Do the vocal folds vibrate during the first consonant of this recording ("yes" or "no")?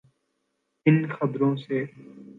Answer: yes